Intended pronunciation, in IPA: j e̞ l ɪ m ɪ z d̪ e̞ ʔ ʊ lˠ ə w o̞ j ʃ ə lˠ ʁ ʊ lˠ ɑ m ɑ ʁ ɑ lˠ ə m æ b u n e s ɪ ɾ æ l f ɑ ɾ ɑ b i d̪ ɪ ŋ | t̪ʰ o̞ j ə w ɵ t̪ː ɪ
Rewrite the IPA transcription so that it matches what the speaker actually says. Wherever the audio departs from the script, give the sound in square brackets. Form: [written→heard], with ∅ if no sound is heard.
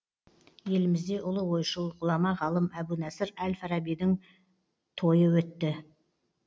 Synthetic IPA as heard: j e̞ l ɪ m ɪ z d̪ e̞ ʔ ʊ lˠ ə w o̞ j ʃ ə lˠ ʁ ʊ lˠ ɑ m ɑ ʁ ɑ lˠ ə m æ b u n [e→æ] s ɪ ɾ æ l f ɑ ɾ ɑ b i d̪ ɪ ŋ | t̪ʰ o̞ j ə w ɵ t̪ː ɪ